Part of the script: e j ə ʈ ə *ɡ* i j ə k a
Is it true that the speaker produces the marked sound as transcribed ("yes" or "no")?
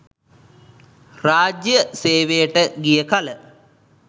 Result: yes